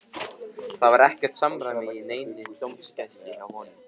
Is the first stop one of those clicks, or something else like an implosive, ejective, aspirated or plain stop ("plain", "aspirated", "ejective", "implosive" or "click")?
plain